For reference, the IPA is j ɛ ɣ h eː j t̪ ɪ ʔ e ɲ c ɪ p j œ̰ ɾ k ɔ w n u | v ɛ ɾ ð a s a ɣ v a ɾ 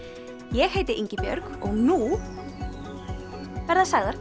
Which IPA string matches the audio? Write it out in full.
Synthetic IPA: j ɛ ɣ h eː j t̪ ɪ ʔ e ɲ c ɪ p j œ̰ ɾ k ɔ ɣ n u | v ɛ ɾ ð a s a ɣ ð a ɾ

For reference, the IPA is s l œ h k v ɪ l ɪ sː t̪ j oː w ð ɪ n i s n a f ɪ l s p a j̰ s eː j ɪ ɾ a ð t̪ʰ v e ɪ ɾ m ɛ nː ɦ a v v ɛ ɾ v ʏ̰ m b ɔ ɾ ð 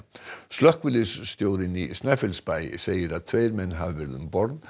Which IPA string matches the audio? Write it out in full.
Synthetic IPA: s l œ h k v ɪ l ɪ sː t̪ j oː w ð ɪ n i s n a f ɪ l s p a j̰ s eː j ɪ ɾ a ð t̪ʰ v e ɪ ɾ m ɛ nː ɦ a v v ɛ ɾ ð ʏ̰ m b ɔ ɾ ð

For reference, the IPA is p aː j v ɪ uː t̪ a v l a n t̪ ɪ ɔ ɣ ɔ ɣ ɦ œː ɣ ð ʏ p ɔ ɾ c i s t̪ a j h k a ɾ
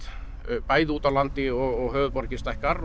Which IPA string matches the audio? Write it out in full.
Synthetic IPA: p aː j ð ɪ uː t̪ a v l a n t̪ ɪ ɔ ɣ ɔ ɣ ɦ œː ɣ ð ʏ p ɔ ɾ c ɪ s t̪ a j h k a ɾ

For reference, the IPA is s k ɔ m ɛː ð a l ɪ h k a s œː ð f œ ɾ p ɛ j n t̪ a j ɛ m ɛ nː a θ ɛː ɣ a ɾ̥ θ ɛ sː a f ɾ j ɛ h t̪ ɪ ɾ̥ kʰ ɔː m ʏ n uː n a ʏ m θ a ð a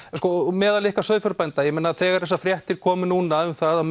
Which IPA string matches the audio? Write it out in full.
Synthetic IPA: s k ɔ m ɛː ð a l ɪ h k a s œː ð f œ ɾ p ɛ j n t̪ a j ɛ m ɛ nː a θ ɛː ɣ a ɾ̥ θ ɛ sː a f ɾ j ɛ h t̪ ɪ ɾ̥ kʰ ɔː m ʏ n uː n a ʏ m θ a ð a

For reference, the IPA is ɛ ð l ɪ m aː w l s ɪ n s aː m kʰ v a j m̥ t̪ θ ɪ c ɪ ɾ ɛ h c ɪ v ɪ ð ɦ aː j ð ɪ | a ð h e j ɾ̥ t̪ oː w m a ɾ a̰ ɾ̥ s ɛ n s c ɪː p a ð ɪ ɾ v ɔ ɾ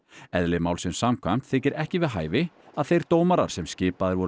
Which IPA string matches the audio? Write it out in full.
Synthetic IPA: ɛ ð l ɪ m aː w l s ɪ n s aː m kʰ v a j m̥ t̪ θ ɪ c ɪ ɾ ɛ h c ɪ v ɪ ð ɦ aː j v ɪ | a ð θ e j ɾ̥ t̪ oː w m a ɾ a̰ ɾ̥ s ɛ m s c ɪː p a ð ɪ ɾ v ɔ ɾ

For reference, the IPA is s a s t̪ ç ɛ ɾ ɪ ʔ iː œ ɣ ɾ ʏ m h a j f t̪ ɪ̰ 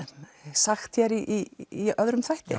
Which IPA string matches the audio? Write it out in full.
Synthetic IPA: s a x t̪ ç ɛ ɾ i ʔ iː œ ð ɾ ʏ m θ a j h t̪ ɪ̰

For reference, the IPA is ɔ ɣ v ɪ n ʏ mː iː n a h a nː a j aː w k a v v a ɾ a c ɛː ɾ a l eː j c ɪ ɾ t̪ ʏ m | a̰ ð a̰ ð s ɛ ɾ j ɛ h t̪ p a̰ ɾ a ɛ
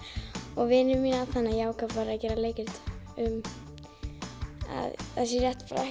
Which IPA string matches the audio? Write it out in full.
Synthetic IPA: ɔ ɣ v ɪ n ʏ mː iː n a θ a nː a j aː w k a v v a ɾ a c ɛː ɾ a l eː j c ɪ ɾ t̪ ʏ m | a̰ ð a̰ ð s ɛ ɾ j ɛ h t̪ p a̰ ɾ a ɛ

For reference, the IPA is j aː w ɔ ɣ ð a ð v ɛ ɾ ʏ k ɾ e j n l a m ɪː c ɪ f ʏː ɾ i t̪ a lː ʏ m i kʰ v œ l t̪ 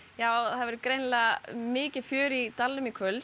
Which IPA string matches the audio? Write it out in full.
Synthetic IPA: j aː w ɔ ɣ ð a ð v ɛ ɾ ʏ k ɾ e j n l a m ɪː c ɪ f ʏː ɾ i t̪ a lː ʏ m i kʰ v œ l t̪

